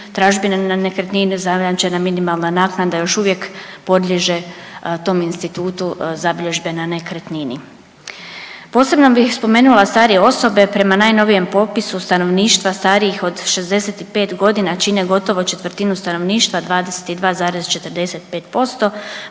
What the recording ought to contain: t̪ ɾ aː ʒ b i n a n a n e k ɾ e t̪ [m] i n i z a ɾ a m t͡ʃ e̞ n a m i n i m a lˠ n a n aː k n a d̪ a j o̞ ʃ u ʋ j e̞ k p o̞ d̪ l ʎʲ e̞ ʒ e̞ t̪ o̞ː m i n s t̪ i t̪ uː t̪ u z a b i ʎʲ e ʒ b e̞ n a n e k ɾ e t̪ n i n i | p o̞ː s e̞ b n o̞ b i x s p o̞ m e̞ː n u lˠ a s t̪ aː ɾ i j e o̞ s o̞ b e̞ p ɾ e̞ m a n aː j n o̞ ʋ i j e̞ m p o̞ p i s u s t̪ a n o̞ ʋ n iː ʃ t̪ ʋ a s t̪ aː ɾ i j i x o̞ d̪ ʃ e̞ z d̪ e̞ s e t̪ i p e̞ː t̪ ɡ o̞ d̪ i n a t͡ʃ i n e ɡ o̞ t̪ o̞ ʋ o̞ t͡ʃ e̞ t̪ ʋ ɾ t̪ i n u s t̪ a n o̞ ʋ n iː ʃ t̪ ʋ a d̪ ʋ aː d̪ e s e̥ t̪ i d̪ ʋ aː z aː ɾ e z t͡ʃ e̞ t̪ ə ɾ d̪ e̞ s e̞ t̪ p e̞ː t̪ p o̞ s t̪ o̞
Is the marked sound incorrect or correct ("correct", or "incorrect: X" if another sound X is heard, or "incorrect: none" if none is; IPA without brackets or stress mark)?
incorrect: n